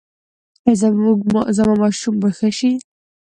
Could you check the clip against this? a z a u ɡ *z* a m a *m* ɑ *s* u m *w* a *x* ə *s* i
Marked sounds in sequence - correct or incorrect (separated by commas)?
correct, correct, incorrect, incorrect, correct, incorrect